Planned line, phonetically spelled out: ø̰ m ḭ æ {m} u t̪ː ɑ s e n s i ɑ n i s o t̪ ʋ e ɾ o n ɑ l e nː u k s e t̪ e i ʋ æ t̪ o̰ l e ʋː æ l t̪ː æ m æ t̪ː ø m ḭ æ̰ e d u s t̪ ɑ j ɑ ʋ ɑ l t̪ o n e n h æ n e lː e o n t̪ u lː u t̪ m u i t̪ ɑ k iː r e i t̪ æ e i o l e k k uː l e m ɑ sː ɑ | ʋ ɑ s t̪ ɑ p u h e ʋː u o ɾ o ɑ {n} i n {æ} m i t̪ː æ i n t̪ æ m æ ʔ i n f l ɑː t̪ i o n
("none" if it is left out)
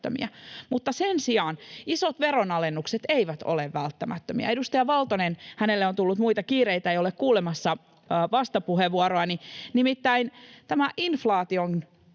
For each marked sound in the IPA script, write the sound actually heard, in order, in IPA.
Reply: m, n, i

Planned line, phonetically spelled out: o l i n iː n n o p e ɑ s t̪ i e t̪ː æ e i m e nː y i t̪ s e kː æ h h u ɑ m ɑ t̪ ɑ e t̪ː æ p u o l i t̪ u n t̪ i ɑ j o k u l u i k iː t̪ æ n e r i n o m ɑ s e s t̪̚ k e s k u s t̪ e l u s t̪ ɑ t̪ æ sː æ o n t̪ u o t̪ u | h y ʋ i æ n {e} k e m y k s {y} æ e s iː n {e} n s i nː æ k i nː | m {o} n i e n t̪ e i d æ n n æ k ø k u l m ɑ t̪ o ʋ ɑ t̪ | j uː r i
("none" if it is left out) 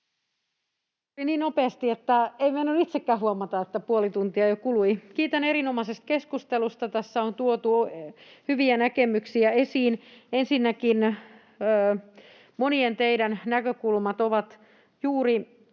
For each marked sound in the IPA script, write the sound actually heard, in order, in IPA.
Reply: æ, i, e, o

